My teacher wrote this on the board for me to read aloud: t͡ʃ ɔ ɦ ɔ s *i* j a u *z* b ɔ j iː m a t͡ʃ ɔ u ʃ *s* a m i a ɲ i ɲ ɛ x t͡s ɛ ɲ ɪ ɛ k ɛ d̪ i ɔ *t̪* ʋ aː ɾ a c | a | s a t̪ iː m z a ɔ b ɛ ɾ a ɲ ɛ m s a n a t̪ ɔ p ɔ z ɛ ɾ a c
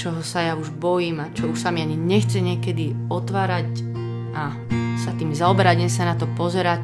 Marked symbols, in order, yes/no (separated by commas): no, no, yes, yes